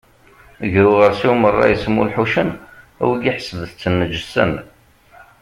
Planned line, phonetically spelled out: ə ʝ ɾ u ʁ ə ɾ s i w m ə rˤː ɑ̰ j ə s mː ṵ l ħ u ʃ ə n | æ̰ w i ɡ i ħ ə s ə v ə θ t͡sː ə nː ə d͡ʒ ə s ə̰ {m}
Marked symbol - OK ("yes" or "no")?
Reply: no